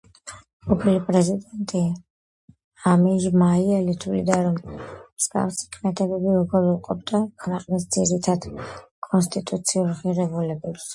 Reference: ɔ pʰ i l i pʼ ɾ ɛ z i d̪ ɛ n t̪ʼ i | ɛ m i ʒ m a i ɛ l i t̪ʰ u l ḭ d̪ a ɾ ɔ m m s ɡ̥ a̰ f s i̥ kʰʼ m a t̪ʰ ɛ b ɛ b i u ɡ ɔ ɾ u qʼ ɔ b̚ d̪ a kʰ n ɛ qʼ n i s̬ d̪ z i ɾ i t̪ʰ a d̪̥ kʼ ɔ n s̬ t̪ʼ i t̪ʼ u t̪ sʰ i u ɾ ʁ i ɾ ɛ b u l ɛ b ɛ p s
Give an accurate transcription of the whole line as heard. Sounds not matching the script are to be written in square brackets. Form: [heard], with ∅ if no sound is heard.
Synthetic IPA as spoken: ɔ pʰ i l i pʼ ɾ ɛ z i d̪ ɛ n t̪ʼ i | [a] m i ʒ m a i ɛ l i t̪ʰ u l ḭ d̪ a ɾ ɔ m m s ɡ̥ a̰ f s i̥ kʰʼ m [ɛ] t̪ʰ ɛ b ɛ b i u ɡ ɔ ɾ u qʼ ɔ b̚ d̪ a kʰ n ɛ qʼ n i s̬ d̪ z i ɾ i t̪ʰ a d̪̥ kʼ ɔ n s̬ t̪ʼ i t̪ʼ u t̪ sʰ i u ɾ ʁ i ɾ ɛ b u l ɛ b ɛ p s

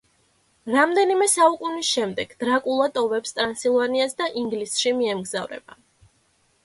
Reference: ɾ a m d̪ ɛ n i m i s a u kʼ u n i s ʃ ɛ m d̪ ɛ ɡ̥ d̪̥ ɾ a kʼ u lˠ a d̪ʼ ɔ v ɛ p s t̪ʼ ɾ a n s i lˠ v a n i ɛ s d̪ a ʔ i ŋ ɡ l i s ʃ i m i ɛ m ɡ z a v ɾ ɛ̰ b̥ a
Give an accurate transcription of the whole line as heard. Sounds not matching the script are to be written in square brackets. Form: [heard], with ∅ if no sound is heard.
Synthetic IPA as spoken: ɾ a m d̪ ɛ n i m [ɛ] s a u kʼ u n i s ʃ ɛ m d̪ ɛ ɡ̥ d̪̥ ɾ a kʼ u lˠ a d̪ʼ ɔ v ɛ p s t̪ʼ ɾ a n s i lˠ v a n i [a] s d̪ a ʔ i ŋ ɡ l i s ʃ i m i ɛ m ɡ z a v ɾ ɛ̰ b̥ a

